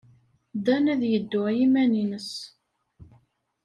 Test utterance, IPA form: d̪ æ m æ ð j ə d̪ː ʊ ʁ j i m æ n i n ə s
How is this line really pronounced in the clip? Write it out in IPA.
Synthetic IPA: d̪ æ n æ ð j ə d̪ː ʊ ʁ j i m æ n i n ə s